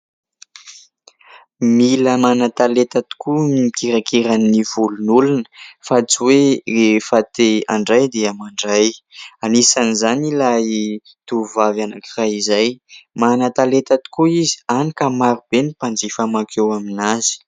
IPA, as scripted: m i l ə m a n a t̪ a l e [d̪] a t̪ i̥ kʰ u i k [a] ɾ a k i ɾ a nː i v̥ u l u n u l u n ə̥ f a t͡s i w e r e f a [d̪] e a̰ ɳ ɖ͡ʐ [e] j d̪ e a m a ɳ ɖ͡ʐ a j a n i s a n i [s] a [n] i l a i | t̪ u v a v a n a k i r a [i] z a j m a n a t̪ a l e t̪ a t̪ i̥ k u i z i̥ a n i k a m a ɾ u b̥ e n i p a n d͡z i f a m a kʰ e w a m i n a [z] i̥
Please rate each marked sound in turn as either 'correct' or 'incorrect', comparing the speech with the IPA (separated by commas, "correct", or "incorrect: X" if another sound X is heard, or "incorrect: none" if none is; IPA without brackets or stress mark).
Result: incorrect: t̪, incorrect: i, incorrect: t̪, incorrect: a, incorrect: z, correct, correct, correct